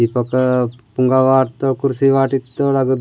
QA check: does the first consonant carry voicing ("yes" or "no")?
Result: no